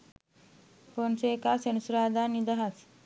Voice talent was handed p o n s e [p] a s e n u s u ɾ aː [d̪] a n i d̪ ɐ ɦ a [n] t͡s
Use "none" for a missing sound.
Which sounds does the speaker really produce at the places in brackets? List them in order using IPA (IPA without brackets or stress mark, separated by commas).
k, d̪, none